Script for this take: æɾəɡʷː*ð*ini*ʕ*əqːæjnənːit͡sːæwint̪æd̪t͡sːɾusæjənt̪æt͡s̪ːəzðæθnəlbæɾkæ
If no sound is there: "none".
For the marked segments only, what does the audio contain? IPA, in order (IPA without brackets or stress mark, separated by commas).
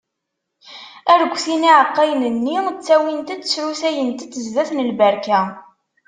θ, ʕ